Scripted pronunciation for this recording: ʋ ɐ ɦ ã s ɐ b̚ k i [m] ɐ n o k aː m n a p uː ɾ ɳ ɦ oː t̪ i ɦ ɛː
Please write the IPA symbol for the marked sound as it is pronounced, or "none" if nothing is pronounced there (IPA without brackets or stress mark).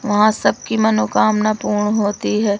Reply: m